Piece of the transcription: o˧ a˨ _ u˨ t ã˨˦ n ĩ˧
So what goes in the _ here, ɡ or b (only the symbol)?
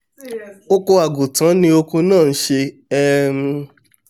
ɡ